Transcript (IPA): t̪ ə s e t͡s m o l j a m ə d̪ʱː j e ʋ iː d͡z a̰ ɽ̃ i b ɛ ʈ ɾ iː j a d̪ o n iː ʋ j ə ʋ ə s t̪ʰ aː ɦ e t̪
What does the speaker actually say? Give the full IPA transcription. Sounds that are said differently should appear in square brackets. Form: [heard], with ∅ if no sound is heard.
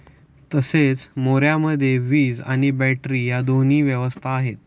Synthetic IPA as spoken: t̪ ə s e t͡s m o [ɾ] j a m ə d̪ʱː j e ʋ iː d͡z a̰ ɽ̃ i b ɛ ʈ ɾ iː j a d̪ o n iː ʋ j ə ʋ ə s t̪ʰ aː ɦ e t̪